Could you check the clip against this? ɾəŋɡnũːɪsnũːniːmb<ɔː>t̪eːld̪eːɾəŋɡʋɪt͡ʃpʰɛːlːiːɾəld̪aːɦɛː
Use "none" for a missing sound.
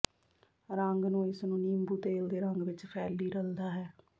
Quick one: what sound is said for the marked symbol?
uː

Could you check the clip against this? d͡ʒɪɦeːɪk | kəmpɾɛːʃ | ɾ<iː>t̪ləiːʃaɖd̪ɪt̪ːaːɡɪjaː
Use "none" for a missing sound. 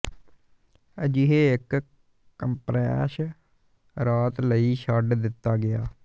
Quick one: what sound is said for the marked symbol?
aː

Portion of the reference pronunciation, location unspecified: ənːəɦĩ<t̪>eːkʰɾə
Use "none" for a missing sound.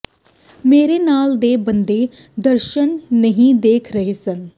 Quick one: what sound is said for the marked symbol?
d̪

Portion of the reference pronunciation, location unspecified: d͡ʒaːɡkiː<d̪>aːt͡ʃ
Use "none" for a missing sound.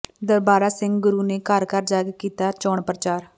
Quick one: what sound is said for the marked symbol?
t̪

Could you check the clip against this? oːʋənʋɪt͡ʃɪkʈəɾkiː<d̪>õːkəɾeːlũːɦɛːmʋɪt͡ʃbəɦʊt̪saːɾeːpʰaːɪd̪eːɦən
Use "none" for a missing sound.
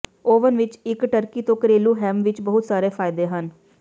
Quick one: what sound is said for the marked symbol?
t̪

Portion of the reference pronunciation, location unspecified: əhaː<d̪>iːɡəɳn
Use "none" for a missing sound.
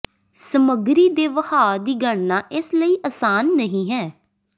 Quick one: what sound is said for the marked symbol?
d̪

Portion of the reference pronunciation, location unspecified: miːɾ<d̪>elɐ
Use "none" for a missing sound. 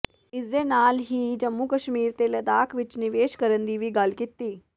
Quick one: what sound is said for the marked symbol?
t̪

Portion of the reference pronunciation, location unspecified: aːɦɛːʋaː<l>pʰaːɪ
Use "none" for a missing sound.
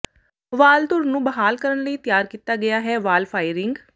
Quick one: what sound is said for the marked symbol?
l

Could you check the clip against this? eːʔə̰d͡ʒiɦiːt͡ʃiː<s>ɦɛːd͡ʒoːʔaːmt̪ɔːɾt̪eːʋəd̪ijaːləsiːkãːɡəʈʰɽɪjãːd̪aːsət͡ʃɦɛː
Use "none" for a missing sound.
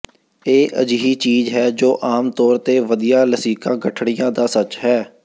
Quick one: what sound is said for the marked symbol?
z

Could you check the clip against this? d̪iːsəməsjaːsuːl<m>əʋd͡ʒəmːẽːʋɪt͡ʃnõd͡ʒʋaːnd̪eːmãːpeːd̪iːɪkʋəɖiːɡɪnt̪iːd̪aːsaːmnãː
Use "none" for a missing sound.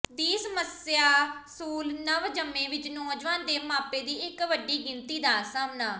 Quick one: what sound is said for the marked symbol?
n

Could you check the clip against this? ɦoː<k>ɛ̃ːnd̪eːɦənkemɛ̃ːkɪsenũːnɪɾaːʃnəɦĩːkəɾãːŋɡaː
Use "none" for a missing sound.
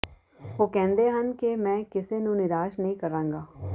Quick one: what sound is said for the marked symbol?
k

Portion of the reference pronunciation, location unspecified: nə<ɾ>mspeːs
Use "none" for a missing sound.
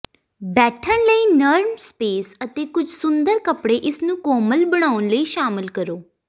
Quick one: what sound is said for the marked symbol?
ɾ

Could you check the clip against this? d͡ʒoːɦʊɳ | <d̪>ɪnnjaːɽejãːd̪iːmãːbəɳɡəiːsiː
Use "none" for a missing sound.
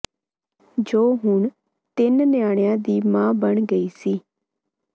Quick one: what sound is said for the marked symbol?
t̪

